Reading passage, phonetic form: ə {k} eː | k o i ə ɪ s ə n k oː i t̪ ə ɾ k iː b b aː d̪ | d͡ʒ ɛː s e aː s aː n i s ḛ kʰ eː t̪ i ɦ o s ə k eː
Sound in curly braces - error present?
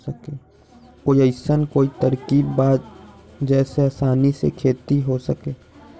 no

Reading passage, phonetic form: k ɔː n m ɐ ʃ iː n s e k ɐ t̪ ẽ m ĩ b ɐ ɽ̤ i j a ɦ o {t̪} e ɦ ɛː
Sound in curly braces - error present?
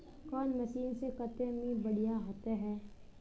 no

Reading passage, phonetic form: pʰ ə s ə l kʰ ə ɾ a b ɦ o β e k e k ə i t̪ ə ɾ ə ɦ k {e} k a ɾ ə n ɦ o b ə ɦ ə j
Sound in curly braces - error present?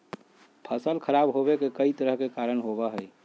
no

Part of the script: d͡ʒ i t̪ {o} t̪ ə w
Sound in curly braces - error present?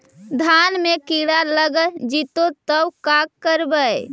no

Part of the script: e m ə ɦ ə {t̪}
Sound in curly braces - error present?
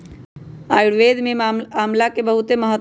no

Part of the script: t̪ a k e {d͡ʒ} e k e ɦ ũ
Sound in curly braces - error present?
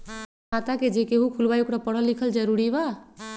no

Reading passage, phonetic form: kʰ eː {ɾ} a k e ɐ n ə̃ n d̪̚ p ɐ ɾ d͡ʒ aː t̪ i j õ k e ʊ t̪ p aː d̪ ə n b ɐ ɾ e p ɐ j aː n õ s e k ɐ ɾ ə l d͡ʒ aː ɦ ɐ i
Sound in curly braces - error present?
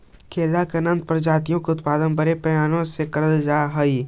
yes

